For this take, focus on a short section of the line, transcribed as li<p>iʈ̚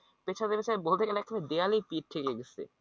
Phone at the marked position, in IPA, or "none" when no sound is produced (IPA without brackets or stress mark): p